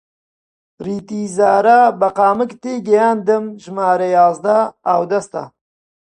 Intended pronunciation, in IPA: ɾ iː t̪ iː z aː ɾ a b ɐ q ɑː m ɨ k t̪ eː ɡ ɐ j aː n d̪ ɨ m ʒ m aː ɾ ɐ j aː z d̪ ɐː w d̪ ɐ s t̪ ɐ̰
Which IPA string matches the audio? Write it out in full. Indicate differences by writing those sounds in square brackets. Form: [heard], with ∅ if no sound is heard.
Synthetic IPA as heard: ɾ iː t̪ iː z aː ɾ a b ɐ q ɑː m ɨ k t̪ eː ɡ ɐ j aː n d̪ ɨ m ʒ m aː ɾ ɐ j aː z d̪ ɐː w d̪ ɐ s t̪ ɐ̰